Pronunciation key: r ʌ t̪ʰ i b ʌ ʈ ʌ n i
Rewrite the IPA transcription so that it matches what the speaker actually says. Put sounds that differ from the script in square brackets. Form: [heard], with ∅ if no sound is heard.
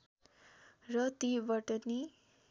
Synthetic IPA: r ʌ [t̪] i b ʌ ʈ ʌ n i